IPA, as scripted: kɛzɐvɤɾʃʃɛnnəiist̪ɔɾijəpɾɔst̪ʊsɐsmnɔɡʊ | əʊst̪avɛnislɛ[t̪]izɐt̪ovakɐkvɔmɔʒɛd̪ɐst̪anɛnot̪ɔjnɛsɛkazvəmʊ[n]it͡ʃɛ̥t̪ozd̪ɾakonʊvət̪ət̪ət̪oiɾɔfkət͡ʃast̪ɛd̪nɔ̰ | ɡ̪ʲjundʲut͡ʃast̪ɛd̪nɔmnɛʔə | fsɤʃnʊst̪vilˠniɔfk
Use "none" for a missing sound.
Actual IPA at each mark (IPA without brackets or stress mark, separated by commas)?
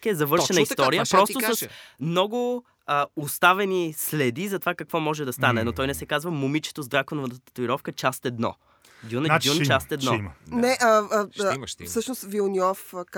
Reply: d̪, m